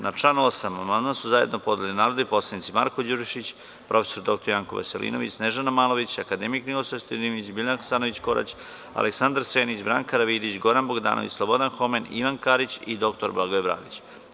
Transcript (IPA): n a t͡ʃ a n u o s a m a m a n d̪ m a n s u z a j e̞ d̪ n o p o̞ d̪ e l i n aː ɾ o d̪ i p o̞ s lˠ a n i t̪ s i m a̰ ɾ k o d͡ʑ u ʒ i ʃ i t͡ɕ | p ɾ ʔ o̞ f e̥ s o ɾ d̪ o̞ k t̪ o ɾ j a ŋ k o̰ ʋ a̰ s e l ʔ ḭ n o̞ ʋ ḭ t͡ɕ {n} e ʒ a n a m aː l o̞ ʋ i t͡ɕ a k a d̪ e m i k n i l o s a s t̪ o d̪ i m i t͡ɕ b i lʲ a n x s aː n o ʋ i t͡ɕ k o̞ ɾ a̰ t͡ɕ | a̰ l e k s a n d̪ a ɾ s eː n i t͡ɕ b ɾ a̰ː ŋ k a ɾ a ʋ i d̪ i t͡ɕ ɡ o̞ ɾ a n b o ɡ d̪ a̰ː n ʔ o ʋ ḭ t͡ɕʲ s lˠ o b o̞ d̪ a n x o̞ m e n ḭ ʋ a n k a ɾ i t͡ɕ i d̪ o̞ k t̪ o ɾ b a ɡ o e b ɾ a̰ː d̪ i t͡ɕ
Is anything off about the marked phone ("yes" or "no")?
no